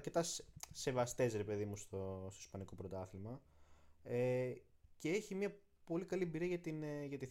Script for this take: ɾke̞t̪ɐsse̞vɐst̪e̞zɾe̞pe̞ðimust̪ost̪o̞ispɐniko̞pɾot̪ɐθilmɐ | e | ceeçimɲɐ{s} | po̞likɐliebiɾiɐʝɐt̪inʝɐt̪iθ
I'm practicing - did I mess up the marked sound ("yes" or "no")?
yes